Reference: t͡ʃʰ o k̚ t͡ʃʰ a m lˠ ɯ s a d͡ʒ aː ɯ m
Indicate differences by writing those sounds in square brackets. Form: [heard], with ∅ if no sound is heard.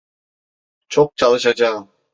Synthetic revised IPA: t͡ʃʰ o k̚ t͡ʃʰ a [∅] lˠ ɯ [ʃ] a d͡ʒ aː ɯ m